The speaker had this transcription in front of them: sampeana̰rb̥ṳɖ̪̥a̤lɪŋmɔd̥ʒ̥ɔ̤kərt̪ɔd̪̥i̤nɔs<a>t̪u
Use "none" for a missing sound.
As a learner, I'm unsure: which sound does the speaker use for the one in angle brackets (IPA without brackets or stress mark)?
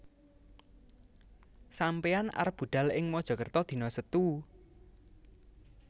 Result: ə